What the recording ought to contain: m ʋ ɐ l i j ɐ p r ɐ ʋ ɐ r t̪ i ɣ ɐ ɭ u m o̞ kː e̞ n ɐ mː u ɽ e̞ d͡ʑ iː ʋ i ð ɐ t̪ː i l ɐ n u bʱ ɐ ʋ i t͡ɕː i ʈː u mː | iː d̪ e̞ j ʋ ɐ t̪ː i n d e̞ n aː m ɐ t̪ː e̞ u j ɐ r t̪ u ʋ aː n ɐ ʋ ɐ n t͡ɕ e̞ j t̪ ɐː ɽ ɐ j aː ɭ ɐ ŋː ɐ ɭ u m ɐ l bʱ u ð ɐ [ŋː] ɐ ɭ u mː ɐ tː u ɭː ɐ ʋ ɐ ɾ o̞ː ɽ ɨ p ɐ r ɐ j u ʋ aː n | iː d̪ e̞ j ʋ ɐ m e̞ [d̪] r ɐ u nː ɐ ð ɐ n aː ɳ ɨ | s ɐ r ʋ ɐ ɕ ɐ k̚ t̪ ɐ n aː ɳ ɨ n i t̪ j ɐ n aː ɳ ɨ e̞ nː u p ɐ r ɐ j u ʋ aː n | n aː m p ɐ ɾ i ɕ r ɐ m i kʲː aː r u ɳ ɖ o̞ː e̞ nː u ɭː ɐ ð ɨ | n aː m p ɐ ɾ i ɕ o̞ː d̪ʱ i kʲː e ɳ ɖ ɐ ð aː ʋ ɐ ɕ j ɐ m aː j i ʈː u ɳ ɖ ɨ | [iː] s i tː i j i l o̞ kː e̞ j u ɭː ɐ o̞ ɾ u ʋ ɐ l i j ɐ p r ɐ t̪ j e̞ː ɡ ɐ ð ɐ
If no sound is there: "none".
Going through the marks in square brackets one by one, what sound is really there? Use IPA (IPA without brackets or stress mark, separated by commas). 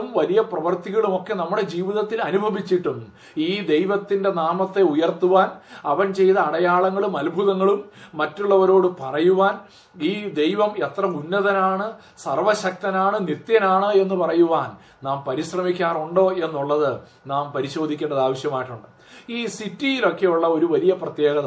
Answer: ŋː, t̪, iː